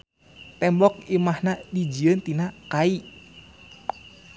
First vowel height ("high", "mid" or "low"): mid